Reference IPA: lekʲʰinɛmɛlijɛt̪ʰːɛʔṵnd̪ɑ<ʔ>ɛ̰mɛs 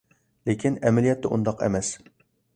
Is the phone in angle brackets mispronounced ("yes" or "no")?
yes